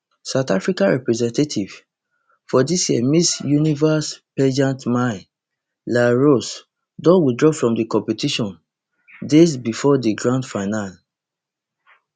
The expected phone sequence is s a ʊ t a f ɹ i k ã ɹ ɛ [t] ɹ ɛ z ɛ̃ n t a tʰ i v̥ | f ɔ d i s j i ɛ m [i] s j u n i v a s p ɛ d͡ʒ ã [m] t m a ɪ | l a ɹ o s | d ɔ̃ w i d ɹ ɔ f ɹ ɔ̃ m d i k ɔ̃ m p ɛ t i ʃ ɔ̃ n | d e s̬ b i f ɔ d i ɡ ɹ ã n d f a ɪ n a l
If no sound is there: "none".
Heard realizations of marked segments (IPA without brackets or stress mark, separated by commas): p, i, n